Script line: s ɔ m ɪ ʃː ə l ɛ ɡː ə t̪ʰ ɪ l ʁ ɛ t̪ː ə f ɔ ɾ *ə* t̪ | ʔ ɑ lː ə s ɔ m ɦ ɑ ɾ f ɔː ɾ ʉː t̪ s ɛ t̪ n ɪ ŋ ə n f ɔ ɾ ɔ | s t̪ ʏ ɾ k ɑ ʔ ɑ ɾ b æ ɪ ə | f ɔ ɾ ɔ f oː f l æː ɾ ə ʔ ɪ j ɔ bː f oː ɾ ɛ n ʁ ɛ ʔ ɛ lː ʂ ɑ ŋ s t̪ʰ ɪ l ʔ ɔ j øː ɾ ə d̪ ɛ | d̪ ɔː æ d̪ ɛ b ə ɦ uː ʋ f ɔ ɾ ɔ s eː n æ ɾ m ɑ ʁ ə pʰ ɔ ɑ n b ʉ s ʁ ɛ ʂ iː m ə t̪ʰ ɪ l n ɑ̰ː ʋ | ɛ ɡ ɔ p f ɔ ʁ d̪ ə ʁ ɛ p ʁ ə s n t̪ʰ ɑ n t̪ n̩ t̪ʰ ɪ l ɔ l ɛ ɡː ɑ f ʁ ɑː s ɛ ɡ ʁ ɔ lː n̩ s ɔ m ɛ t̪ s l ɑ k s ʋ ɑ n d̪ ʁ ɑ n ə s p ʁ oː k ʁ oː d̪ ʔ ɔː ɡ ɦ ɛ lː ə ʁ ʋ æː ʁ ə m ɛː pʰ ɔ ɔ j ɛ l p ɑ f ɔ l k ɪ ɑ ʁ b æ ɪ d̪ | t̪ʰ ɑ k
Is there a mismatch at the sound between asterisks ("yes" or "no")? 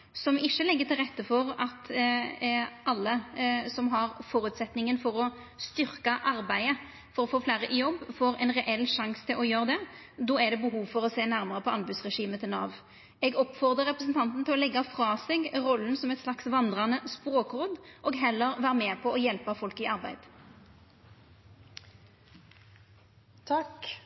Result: yes